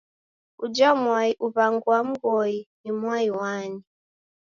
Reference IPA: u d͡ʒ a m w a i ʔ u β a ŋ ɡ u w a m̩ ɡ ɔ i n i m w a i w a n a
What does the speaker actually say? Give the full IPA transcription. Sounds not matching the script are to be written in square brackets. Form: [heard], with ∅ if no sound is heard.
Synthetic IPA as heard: u d͡ʒ a m w a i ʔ u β a ŋ ɡ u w a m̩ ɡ ɔ i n i m w a i w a n [i]